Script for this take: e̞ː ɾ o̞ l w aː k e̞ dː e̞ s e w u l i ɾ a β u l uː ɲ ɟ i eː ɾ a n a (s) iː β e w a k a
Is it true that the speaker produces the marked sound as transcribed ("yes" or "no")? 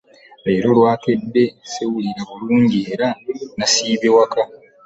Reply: yes